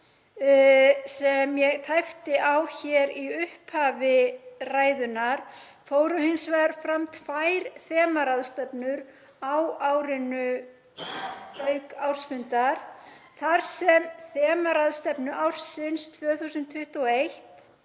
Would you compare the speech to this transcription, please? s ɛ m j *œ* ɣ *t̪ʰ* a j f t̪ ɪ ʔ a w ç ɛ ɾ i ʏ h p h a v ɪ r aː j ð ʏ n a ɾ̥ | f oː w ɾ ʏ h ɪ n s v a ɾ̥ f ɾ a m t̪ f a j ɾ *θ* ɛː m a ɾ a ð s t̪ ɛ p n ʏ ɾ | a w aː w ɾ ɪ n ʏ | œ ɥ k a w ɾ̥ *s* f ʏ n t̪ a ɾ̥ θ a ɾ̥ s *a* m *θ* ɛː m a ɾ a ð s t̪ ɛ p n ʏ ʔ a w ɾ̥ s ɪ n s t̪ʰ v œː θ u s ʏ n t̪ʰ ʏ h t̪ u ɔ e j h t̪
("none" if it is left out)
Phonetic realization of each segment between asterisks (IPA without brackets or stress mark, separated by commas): ɛ, t̪ʰ, θ, s, ɛ, θ